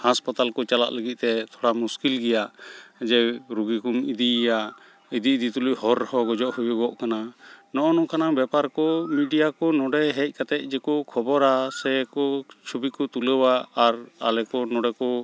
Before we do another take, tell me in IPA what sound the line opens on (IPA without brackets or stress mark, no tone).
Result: h